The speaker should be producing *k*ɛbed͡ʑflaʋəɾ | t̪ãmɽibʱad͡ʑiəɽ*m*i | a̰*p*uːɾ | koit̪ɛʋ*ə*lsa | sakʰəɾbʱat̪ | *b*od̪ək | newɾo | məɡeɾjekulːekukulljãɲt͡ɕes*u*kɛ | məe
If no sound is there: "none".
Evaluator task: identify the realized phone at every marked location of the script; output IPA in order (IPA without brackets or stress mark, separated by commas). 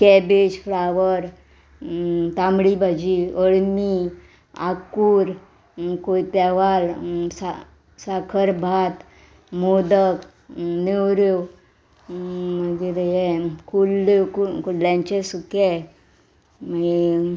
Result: k, m, k, a, m, u